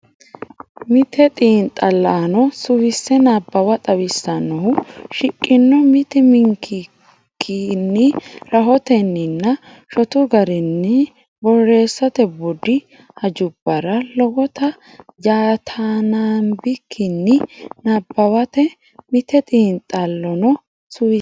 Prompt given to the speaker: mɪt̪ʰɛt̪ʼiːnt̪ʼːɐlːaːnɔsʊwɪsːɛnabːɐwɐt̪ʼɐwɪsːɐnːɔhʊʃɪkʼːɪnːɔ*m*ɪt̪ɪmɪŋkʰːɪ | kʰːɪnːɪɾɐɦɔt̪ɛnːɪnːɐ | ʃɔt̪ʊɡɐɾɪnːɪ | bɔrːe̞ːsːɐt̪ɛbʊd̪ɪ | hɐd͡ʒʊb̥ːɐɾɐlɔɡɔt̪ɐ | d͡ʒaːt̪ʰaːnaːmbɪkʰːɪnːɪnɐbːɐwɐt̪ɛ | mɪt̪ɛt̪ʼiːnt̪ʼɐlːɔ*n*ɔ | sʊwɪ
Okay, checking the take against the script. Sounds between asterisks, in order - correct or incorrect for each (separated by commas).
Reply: correct, correct